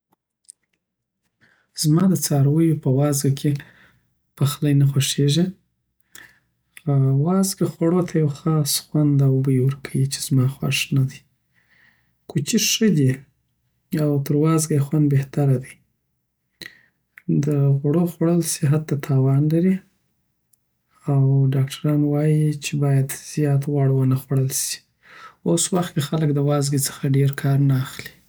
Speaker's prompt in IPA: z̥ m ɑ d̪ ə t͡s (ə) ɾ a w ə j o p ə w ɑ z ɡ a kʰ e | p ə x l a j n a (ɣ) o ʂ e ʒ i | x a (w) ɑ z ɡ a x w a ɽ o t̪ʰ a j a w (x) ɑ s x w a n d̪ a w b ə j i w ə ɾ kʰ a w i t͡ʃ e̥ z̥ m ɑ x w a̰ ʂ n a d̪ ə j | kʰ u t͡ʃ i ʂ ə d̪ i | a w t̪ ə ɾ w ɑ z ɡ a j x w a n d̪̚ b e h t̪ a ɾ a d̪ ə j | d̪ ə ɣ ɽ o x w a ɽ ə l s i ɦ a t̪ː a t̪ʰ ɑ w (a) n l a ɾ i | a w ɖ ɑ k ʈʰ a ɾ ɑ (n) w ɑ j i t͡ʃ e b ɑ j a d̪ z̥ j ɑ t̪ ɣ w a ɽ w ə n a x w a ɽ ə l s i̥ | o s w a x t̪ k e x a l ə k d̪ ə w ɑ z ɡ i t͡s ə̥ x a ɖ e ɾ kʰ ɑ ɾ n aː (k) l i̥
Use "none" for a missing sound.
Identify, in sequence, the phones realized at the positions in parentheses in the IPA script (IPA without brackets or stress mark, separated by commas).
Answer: ɑ, x, w, x, ɑ, n, x